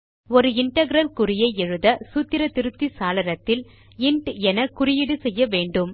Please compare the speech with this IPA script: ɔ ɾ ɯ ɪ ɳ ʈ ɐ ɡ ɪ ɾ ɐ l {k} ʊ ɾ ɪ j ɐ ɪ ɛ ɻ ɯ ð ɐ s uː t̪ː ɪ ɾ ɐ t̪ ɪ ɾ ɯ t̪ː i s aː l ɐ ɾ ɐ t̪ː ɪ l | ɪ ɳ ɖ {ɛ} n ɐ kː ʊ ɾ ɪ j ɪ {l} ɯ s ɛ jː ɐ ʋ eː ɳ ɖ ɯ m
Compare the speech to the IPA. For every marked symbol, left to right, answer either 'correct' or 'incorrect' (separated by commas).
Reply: correct, correct, incorrect